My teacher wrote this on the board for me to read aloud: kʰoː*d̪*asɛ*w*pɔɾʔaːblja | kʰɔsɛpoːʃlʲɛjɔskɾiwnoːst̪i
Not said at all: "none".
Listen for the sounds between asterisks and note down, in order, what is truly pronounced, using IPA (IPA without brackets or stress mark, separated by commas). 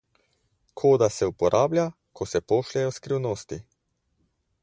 d̪, u